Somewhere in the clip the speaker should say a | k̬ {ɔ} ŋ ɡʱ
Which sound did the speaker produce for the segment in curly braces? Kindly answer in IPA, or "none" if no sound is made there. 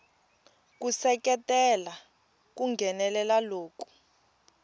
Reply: u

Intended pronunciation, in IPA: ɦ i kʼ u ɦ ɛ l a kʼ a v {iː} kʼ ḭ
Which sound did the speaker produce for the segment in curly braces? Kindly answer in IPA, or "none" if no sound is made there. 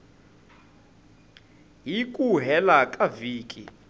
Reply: iː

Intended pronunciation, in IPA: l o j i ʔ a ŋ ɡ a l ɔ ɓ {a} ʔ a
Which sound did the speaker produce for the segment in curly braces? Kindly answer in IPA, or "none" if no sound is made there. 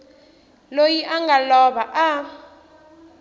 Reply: a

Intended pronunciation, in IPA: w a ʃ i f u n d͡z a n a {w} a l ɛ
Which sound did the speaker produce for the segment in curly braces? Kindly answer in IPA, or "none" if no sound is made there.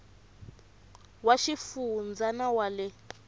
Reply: w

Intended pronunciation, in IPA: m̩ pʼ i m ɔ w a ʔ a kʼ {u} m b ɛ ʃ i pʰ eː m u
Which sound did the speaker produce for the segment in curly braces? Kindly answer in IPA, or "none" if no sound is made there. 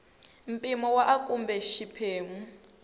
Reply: u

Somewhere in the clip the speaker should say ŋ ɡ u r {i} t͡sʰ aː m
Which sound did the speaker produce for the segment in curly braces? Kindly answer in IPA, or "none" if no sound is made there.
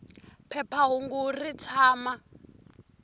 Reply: i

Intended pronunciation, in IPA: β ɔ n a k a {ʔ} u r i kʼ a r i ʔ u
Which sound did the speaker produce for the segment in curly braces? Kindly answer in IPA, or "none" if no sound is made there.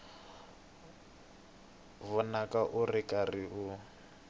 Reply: ʔ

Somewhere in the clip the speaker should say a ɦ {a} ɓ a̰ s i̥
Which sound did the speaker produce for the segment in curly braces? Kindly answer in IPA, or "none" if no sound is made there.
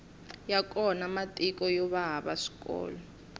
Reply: a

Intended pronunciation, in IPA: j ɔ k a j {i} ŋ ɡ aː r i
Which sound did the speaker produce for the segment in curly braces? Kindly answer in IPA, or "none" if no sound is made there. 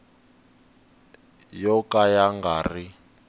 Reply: a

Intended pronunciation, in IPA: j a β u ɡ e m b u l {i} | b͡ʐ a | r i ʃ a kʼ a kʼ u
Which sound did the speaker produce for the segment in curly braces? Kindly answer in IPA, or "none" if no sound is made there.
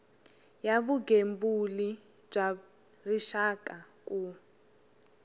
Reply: i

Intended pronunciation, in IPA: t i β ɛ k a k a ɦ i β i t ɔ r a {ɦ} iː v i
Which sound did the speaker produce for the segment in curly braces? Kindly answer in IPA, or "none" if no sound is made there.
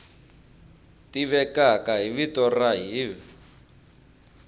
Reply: ɦ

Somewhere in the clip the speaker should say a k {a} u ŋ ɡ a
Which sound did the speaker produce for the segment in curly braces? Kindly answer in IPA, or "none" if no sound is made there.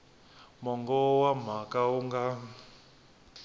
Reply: a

